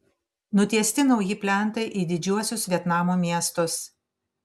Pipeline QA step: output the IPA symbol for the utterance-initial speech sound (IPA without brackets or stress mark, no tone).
n